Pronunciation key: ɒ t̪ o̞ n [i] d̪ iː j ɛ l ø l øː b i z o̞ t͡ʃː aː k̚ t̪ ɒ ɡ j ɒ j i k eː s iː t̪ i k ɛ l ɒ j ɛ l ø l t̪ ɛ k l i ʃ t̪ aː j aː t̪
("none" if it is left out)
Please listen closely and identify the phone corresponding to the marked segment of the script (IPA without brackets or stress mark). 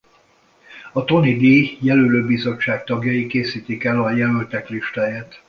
i